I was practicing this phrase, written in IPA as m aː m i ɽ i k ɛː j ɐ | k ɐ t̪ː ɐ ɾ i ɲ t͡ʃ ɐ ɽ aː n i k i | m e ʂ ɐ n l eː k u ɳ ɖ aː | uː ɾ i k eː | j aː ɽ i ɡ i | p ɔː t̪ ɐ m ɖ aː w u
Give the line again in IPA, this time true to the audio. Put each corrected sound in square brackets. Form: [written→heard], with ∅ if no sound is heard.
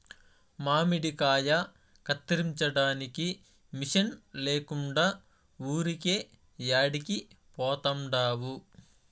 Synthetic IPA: m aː m i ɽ i k [ɛː→aː] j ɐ | k ɐ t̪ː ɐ ɾ i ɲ t͡ʃ ɐ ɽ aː n i k i | m [e→i] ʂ ɐ n l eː k u ɳ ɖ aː | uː ɾ i k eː | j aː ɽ i [ɡ→k] i | p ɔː t̪ ɐ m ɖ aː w u